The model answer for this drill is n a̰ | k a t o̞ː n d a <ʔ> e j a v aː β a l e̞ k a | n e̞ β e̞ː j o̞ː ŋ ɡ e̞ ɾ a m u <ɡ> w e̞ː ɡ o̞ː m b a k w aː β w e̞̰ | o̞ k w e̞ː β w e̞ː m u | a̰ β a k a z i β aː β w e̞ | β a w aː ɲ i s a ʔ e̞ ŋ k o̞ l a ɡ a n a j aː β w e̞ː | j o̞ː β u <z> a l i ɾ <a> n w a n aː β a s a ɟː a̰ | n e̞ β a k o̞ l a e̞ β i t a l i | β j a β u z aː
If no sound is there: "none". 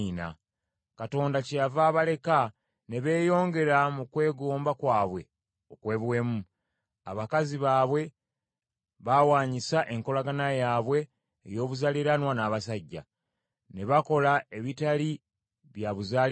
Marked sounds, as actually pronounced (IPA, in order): c, k, z, a

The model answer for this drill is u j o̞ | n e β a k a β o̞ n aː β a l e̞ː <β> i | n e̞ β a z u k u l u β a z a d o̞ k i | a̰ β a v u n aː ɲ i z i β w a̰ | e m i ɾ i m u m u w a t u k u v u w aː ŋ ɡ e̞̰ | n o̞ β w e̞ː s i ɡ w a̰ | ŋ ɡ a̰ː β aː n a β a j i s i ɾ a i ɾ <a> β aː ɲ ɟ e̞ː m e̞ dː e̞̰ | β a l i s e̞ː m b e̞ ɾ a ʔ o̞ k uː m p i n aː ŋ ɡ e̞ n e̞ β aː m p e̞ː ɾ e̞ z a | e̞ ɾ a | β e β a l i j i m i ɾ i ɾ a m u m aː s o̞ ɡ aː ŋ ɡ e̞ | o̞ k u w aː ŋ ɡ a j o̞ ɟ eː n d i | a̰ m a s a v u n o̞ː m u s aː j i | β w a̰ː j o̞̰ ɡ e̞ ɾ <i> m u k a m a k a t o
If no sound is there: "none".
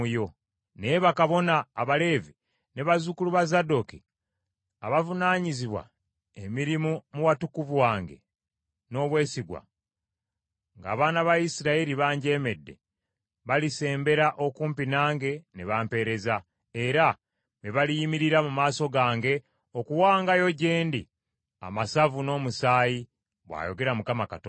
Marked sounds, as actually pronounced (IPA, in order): v, i, a

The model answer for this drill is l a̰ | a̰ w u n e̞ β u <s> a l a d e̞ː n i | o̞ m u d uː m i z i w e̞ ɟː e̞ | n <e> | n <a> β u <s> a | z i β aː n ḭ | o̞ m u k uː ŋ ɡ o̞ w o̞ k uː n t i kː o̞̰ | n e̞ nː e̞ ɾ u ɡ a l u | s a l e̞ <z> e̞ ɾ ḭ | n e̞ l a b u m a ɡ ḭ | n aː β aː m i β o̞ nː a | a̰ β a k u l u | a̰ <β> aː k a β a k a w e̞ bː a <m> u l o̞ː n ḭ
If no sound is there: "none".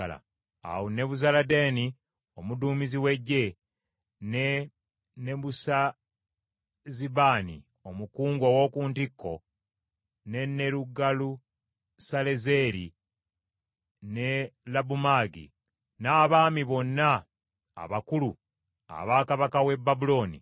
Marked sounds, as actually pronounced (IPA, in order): z, e, e, s, z, β, b

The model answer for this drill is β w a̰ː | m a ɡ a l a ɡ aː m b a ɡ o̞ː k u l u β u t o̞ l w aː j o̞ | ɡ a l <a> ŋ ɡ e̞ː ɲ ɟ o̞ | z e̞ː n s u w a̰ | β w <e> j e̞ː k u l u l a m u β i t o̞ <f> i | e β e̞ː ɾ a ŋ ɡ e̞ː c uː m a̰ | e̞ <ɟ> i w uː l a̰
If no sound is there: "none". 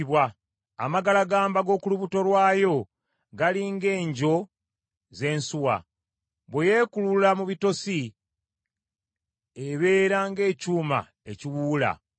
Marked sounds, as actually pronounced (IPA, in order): i, e, s, c

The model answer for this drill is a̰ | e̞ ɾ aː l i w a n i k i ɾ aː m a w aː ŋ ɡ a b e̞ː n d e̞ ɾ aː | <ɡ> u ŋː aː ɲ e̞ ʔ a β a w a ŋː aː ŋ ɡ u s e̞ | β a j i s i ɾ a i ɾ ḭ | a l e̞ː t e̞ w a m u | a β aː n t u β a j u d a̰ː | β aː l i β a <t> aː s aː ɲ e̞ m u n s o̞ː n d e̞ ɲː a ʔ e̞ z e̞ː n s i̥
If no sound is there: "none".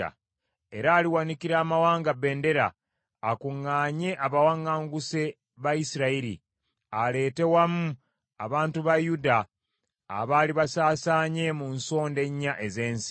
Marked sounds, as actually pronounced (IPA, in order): k, s

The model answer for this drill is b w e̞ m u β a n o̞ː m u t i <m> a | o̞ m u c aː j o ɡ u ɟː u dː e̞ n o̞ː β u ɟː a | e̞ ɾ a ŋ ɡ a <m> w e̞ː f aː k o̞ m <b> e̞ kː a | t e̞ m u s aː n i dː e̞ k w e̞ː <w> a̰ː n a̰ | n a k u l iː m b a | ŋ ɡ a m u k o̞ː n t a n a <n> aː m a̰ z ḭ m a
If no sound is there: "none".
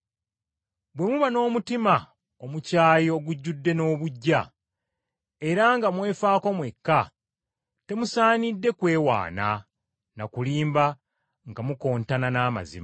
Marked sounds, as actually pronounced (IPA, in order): m, m, w, w, n

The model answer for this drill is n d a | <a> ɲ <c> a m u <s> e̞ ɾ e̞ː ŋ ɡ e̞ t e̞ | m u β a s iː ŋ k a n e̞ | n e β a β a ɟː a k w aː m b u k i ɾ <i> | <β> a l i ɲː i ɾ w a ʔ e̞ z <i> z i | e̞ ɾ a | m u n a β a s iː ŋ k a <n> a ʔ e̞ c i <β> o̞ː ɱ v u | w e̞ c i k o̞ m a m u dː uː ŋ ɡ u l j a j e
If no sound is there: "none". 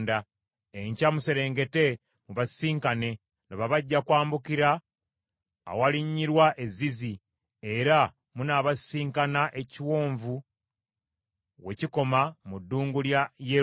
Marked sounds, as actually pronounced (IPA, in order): e, c, s, a, w, i, n, w

